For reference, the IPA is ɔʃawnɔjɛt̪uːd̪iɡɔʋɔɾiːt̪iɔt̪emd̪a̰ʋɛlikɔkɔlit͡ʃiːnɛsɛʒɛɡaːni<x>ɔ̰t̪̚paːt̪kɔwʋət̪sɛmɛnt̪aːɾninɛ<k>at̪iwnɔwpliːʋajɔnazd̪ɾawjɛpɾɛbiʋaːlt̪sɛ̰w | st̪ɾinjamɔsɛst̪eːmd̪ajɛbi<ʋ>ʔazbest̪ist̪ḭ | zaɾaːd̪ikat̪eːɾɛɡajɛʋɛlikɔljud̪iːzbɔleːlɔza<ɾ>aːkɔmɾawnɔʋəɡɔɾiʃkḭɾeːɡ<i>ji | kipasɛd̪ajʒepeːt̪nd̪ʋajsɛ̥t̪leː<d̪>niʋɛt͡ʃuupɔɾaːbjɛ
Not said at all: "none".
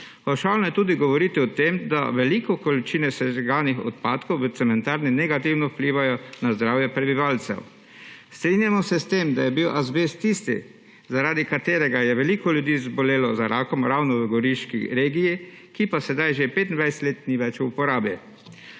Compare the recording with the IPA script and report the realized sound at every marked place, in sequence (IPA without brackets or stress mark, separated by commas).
x, ɡ, w, ɾ, i, t̪